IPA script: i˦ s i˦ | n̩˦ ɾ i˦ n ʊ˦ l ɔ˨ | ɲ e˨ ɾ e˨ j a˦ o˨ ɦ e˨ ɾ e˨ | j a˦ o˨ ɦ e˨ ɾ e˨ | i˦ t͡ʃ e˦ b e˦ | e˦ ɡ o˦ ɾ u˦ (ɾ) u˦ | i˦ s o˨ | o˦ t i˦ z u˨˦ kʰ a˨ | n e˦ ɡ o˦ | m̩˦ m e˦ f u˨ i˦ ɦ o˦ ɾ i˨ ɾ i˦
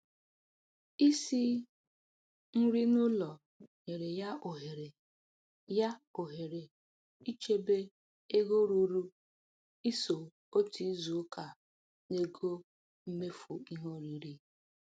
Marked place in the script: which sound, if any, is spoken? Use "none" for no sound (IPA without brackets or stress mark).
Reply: ɾ